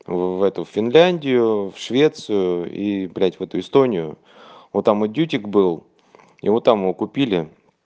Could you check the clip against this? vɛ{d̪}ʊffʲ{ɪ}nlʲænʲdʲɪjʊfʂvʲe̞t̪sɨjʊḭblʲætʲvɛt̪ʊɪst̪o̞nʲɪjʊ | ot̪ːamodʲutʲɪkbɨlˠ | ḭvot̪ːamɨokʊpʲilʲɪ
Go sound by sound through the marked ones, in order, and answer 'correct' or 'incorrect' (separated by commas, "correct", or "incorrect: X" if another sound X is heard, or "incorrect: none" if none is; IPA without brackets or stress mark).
incorrect: t̪, correct